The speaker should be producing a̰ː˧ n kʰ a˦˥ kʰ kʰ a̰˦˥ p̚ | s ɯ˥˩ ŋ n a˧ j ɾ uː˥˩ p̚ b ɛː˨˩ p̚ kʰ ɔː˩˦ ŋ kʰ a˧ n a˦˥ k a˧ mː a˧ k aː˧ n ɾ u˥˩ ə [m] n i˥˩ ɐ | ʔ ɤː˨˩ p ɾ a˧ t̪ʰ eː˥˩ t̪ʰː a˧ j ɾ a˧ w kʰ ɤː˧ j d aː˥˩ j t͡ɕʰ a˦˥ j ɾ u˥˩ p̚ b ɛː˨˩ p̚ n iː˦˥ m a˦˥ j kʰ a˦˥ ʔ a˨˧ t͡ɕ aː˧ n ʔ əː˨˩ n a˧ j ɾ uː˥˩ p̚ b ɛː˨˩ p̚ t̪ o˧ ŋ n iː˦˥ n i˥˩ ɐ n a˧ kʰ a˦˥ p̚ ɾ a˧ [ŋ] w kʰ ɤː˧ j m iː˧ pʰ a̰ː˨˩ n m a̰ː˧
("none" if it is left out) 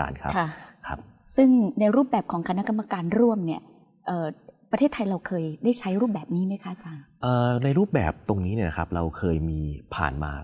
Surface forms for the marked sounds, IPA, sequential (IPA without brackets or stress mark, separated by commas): m, none